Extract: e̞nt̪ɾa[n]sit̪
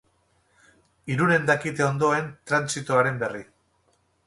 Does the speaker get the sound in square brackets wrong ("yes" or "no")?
no